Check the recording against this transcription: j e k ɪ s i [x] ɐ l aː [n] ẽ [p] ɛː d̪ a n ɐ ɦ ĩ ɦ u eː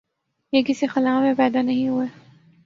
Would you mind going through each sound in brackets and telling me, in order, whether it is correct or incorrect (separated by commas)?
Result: correct, incorrect, correct